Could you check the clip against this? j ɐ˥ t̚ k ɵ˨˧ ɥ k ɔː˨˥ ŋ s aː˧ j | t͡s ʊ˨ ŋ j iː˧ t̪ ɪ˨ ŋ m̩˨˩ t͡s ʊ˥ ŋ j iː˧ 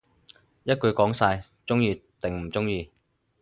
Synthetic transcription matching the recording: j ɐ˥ t̚ k ɵ˨˧ ɥ k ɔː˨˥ ŋ s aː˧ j | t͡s ʊ˥ ŋ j iː˧ t̪ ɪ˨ ŋ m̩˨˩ t͡s ʊ˥ ŋ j iː˧

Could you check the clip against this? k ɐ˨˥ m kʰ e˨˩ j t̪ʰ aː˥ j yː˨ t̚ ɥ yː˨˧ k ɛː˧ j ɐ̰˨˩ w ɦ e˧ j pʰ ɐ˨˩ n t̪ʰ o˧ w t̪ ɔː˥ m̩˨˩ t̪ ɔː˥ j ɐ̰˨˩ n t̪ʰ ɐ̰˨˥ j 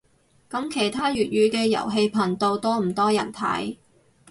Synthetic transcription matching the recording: k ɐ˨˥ m kʰ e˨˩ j t̪ʰ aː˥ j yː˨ t̚ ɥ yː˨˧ k ɛː˧ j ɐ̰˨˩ w ɦ e˧ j pʰ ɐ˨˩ n t̪ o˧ w t̪ ɔː˥ m̩˨˩ t̪ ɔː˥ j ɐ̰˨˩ n t̪ʰ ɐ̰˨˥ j

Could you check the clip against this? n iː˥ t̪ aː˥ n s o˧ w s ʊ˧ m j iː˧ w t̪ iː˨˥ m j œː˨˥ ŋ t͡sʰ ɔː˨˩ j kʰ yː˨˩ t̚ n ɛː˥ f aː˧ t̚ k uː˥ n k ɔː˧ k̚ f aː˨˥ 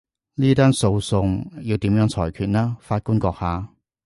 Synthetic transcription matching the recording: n iː˥ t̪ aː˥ n s o˧ w s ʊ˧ ŋ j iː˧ w t̪ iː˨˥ m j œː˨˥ ŋ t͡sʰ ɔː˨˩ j kʰ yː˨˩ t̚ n aː˥ f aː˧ t̚ k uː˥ n k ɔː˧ k̚ h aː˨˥

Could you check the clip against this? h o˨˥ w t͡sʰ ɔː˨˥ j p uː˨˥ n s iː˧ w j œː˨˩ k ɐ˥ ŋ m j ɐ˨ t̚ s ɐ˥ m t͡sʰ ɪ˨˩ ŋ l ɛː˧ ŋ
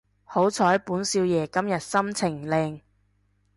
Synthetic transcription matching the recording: h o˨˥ w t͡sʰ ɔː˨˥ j p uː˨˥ n s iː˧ w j ɛː˨˩ k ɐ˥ m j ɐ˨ t̚ s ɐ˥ m t͡sʰ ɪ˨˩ ŋ l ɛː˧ ŋ

